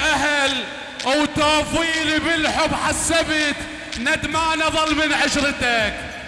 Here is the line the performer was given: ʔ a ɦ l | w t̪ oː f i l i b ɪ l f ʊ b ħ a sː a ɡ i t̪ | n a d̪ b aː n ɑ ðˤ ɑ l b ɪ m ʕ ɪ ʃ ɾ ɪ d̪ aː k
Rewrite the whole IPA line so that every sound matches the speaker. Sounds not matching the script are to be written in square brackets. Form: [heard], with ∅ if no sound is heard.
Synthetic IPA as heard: ʔ a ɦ l | w t̪ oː f [iː] l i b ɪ l [ħ] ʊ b ħ a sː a [b] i t̪ | n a d̪ [m] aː n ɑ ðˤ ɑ l [m] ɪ [n] ʕ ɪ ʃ ɾ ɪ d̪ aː k